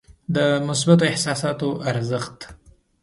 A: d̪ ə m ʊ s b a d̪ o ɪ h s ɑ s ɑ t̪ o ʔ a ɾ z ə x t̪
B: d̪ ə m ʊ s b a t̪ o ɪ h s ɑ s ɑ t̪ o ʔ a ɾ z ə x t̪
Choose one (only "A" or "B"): B